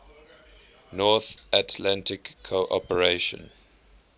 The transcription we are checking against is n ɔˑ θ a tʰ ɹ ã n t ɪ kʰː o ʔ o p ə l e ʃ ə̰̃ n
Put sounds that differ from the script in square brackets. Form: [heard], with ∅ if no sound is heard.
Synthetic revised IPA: n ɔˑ θ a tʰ [l] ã n t ɪ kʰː o ʔ [ɔ] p ə [ɹ] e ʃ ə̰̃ n